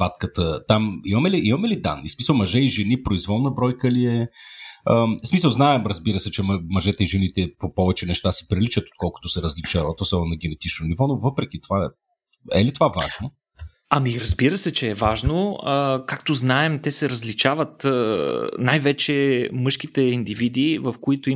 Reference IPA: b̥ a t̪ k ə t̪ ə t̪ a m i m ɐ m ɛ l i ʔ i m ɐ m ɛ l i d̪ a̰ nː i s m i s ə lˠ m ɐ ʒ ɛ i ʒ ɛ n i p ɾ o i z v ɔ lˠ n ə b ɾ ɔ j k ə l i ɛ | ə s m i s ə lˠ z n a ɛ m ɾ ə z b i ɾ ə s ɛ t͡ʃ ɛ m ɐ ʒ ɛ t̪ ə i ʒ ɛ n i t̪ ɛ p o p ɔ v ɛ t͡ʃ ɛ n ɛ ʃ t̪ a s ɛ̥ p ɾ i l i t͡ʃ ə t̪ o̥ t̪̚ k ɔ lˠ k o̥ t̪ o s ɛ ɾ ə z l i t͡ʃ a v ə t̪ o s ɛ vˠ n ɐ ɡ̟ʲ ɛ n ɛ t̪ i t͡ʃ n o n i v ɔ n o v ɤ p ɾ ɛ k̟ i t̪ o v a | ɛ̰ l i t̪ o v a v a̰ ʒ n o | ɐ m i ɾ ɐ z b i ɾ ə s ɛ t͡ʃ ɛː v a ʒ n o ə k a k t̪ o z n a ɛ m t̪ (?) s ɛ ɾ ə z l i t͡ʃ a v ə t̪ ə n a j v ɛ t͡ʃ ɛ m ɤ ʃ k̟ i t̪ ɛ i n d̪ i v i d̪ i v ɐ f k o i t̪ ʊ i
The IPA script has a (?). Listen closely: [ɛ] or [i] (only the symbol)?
ɛ